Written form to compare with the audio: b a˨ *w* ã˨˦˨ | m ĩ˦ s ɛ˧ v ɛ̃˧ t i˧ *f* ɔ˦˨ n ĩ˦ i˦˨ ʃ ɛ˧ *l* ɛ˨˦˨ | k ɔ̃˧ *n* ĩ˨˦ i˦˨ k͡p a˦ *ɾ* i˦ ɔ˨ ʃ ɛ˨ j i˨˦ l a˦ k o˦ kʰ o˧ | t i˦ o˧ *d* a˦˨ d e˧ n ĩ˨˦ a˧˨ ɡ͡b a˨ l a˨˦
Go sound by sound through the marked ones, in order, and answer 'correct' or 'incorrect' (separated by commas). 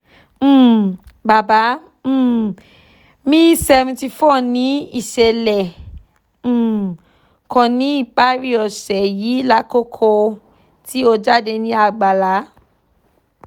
incorrect, correct, correct, correct, correct, incorrect